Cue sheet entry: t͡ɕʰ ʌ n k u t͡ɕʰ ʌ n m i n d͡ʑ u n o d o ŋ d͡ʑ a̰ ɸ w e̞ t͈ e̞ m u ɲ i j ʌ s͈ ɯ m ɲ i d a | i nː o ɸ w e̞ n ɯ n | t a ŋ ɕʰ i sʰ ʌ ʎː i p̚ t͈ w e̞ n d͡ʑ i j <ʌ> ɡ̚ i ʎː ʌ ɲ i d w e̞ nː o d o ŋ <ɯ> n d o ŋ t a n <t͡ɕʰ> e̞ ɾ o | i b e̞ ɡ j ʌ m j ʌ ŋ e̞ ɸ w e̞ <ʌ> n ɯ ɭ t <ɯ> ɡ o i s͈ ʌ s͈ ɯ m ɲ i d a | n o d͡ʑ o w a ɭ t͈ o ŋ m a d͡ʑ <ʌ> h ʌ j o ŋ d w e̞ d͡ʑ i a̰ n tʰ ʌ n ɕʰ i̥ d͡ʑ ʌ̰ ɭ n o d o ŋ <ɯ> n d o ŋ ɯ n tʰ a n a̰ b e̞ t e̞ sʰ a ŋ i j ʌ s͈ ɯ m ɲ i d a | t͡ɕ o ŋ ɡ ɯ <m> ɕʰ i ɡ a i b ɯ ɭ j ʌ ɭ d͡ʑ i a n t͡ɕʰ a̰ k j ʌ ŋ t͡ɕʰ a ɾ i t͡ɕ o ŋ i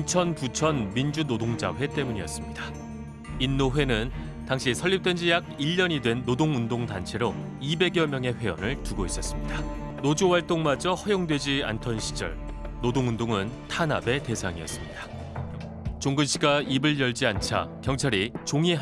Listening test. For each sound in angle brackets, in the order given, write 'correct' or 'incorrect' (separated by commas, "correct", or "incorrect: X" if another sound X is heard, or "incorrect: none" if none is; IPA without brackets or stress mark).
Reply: incorrect: a, incorrect: u, correct, correct, incorrect: u, correct, incorrect: u, incorrect: n